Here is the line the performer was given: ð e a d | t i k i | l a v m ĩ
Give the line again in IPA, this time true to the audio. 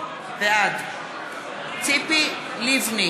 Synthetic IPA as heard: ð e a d | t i p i | l i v n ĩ